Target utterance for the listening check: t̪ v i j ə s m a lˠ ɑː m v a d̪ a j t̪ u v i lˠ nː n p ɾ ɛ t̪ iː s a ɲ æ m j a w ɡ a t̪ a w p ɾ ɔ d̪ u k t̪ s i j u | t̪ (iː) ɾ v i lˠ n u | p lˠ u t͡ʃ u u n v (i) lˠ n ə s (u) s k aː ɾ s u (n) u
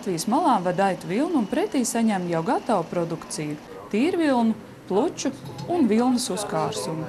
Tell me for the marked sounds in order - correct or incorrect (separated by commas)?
correct, correct, correct, incorrect